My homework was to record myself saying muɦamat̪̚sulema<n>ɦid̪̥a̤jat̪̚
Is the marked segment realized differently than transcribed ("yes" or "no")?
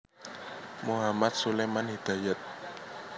no